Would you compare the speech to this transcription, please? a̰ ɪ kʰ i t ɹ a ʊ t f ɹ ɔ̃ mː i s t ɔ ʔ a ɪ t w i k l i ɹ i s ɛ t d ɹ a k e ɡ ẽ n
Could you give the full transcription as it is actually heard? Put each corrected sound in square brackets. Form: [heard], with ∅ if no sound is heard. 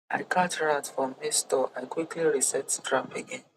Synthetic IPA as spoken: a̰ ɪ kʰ [a] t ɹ a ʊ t f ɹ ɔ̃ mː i s t ɔ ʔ a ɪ [k] w i k l i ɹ i s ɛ t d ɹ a [p] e ɡ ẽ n